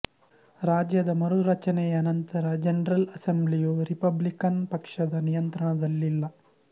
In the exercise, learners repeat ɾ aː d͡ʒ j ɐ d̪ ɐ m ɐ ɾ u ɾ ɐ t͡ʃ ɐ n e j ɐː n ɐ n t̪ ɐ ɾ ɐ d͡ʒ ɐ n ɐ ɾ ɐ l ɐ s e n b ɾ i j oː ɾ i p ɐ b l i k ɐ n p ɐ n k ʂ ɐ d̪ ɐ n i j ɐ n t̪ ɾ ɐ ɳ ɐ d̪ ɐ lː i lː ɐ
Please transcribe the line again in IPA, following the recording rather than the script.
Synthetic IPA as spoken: ɾ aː d͡ʒ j ɐ d̪ ɐ m ɐ ɾ u ɾ ɐ t͡ʃ ɐ n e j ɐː n ɐ n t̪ ɐ ɾ ɐ d͡ʒ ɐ n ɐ ɾ ɐ l ɐ s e m b l i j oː ɾ i p ɐ b l i k ɐ n p ɐ k ʂ ɐ d̪ ɐ n i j ɐ n t̪ ɾ ɐ ɳ ɐ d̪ ɐ lː i lː ɐ